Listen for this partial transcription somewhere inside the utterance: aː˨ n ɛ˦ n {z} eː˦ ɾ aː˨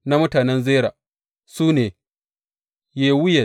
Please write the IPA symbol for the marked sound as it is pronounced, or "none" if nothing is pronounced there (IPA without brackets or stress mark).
z